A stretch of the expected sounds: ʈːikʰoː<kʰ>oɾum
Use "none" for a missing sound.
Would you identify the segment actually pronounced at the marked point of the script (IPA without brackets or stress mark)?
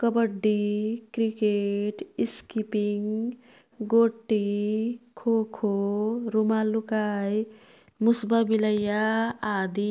kʰ